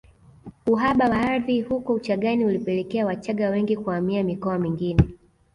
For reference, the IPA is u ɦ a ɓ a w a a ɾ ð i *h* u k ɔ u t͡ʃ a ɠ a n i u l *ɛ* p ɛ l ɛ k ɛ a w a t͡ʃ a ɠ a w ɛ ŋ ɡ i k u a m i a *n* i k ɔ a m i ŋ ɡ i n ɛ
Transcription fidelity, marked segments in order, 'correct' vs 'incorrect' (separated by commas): correct, incorrect, incorrect